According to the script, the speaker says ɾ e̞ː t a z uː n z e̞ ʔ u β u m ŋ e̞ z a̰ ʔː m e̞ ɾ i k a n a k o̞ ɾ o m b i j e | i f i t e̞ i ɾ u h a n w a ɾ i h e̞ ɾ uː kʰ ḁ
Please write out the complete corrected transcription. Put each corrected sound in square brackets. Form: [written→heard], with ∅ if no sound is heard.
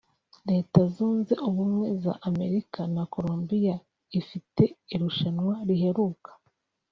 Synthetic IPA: ɾ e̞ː t a z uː n z e̞ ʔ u β u m ŋ e̞ z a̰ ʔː m e̞ ɾ i k a n a k o̞ ɾ o m b i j [e→a] | i f i t e̞ i ɾ u [h→ʃ] a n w a ɾ i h e̞ ɾ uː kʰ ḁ